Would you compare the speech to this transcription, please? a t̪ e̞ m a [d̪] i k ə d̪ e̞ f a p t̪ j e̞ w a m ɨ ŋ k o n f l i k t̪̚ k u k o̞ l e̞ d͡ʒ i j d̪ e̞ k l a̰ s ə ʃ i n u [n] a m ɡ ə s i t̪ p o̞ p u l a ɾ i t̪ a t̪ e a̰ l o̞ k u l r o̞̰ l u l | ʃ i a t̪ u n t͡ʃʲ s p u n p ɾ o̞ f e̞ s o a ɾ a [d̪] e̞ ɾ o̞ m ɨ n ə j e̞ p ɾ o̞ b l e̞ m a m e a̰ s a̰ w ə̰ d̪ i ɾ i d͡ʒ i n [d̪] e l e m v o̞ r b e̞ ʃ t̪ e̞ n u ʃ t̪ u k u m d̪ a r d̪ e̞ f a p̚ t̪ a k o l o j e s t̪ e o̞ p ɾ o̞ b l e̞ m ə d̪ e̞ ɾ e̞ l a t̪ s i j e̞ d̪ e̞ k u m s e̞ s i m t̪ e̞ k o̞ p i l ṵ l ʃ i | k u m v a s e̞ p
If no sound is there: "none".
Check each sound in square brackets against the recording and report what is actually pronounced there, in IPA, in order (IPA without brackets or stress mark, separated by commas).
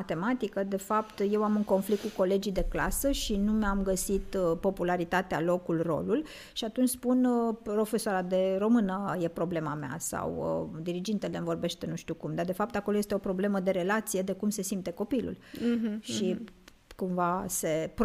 t̪, m, d̪, t̪